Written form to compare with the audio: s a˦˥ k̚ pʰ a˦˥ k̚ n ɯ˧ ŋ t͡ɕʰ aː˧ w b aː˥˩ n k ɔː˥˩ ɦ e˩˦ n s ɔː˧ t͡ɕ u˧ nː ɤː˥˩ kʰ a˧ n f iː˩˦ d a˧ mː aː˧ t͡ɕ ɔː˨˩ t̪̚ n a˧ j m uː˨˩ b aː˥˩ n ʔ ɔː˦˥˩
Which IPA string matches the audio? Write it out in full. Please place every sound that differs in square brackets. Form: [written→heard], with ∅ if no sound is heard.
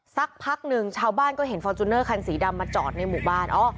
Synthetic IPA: s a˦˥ k̚ pʰ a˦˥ k̚ n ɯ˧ ŋ t͡ɕʰ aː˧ w b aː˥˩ n k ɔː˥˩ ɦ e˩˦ n [s→f] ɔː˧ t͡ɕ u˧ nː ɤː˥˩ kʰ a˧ n [f→s] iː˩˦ d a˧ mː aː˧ t͡ɕ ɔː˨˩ t̪̚ n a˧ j m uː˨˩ b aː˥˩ n ʔ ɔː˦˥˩